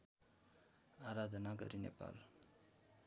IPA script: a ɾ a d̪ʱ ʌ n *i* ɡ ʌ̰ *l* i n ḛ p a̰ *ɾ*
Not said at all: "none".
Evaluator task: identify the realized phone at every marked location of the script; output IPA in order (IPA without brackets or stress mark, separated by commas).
a, ɾ, l